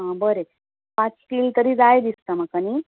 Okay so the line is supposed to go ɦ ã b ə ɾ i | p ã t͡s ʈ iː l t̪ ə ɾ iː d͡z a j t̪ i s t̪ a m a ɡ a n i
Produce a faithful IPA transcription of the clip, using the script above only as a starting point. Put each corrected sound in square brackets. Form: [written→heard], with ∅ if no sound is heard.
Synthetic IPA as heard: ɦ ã b ə ɾ [i→e] | p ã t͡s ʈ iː l t̪ ə ɾ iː d͡z a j [t̪→d̪] i s t̪ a m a [ɡ→k] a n i